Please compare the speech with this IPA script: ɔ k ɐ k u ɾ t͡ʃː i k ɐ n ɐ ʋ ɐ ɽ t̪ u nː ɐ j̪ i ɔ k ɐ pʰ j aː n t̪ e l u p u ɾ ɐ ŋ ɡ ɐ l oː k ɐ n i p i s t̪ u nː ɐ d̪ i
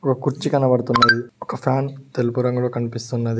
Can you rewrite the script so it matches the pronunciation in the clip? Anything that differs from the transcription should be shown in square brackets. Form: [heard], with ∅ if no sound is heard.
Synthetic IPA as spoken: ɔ k ɐ k u ɾ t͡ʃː i k ɐ n ɐ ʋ ɐ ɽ t̪ u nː ɐ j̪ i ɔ k ɐ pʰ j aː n t̪ e l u p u ɾ ɐ ŋ ɡ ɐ l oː k ɐ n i p i s t̪ u nː ɐ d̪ i